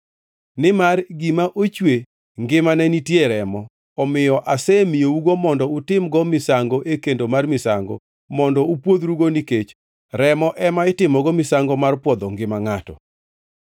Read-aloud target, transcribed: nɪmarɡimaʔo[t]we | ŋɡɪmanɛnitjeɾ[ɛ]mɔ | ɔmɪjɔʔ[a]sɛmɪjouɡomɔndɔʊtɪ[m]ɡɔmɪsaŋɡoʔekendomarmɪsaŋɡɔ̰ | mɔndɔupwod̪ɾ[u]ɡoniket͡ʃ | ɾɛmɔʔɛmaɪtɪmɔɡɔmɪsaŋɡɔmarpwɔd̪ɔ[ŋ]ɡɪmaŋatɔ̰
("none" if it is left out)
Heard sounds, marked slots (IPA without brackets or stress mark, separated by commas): t͡ʃ, ɛ, a, m, u, ŋ